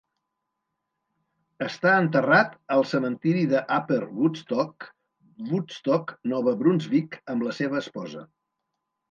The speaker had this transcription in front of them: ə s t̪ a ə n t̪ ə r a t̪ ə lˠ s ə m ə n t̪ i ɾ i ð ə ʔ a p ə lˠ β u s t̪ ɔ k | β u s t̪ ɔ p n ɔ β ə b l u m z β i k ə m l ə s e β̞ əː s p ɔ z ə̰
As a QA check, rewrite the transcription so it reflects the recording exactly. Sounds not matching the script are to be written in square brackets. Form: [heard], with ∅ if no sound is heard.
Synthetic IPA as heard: ə s t̪ a ə n t̪ ə r a t̪ ə lˠ s ə m ə n t̪ i ɾ i ð ə ʔ a p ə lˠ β u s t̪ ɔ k | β u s t̪ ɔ [k] n ɔ β ə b [ɾ] u [n] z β i k ə m l ə s e β̞ əː s p ɔ z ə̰

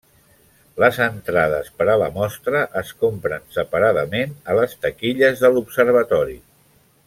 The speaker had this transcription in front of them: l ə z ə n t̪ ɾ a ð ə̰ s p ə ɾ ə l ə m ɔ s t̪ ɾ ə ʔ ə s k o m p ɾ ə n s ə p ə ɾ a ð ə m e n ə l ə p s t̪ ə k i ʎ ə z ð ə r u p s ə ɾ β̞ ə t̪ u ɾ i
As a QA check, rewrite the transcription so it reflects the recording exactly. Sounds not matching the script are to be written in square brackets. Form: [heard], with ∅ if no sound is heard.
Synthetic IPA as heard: l ə z ə n t̪ ɾ a ð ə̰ s p ə ɾ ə l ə m ɔ s t̪ ɾ ə ʔ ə s k o m p ɾ ə n s ə p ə ɾ a ð ə m e n ə l ə [∅] s t̪ ə k i ʎ ə z ð ə [l] u p s ə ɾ β̞ ə t̪ [ɔ] ɾ i

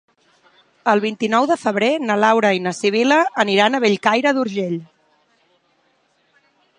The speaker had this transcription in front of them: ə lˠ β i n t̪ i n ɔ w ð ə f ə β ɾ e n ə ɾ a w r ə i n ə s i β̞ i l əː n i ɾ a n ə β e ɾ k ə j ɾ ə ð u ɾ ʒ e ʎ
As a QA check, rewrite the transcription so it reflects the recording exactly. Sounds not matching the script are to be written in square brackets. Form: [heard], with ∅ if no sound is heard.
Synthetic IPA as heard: ə lˠ β i n t̪ i n ɔ w ð ə f ə β ɾ e n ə [l] a w [ɾ] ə i n ə s i β̞ i l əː n i ɾ a n ə β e [ʎ] k [a] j ɾ ə ð u ɾ ʒ e ʎ

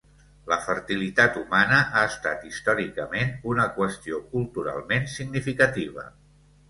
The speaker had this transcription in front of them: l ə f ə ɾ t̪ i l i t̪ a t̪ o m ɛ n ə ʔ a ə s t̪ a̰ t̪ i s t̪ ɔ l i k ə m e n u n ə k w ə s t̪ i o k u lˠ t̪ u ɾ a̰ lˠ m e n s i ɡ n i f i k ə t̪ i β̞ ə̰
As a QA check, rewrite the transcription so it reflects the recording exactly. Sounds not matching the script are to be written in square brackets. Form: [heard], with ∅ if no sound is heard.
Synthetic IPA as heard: l ə f ə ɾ t̪ i l i t̪ a t̪ [u] m [a] n ə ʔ a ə s t̪ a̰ t̪ i s t̪ ɔ [ɾ] i k ə m e n u n ə k w ə s t̪ i o k u lˠ t̪ u ɾ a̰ lˠ m e n s i ɡ n i f i k ə t̪ i β̞ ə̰

